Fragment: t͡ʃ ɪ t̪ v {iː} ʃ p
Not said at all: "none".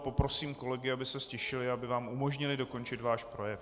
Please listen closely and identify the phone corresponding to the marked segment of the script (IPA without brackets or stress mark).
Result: aː